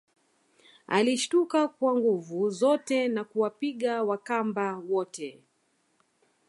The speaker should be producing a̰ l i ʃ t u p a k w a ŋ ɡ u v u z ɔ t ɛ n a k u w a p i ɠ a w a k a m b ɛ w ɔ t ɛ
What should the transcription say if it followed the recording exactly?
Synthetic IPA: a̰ l i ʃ t u k a k w a ŋ ɡ u v u z ɔ t ɛ n a k u w a p i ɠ a w a k a m b a w ɔ t ɛ

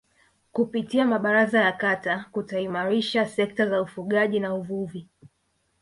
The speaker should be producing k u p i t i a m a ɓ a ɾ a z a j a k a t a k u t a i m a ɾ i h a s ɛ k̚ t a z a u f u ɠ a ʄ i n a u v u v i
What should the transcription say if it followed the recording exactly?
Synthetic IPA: k u p i t i a m a ɓ a ɾ a z a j a k a t a k u t a i m a ɾ i ʃ a s ɛ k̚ t a z a u f u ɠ a ʄ i n a u v u v i

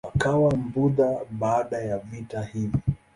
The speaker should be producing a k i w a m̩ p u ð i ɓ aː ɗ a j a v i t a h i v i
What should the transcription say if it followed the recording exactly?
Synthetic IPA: a k a w a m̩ b u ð a ɓ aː ɗ a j a v i t a h i v i

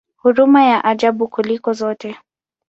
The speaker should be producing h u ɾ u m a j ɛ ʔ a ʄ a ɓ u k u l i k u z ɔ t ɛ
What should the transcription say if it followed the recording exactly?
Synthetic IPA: h u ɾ u m a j a ʔ a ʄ a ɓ u k u l i k ɔ z ɔ t ɛ

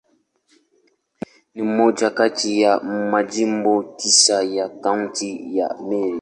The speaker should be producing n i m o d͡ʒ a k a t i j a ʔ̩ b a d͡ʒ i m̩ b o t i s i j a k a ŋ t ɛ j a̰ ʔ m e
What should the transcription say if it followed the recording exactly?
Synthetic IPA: n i m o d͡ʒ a k a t i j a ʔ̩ m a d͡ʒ i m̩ b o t i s a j a k a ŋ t i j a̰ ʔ m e

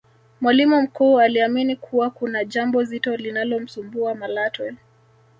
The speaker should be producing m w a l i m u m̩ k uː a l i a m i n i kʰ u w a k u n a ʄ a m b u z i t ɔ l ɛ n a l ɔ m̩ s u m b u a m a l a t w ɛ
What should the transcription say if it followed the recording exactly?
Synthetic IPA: m w a l i m u m̩ k uː a l i a m i n i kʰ u w a k u n a ʄ a m b ɔ z i t ɔ l i n a l ɔ m̩ s u m b u a m a l a t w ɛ

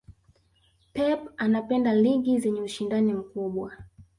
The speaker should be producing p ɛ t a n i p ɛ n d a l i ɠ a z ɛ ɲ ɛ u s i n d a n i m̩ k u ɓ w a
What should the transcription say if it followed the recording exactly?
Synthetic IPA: p ɛ p a n a p ɛ n d a l i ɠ i z ɛ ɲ ɛ u ʃ i n d a n i m̩ k u ɓ w a

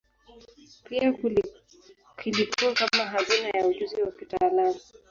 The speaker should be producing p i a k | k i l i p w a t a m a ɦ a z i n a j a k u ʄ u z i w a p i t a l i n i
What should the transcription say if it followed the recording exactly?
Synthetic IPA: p i a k | k i l i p u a k a m a ɦ a z i n a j a u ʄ u z i w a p i t a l a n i

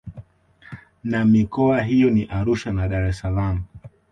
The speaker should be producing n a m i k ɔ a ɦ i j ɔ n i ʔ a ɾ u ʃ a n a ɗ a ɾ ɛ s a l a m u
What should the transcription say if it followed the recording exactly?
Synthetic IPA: n a m i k ɔ a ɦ i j ɔ n i ʔ a ɾ u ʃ a n a ɗ a ɾ ɛ s a l a m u

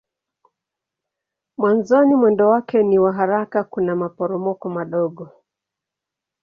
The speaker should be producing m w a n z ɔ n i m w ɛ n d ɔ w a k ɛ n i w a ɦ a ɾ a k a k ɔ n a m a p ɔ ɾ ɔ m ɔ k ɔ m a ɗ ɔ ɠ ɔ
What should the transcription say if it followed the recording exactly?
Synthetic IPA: m w a n z ɔ n i m w ɛ n d ɔ w a k ɛ n i w a ɦ a ɾ a k a k u n a m a p ɔ ɾ ɔ m ɔ k ɔ m a ɗ ɔ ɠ ɔ

